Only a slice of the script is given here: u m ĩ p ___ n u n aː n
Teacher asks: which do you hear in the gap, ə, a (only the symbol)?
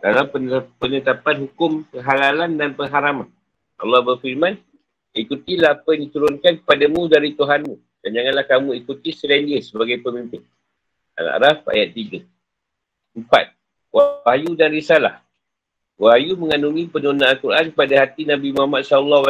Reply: ə